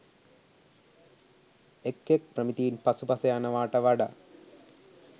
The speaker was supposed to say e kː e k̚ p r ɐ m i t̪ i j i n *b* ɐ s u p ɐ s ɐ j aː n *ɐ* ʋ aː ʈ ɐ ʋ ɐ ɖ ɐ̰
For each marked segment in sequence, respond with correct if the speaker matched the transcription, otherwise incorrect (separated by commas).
incorrect, correct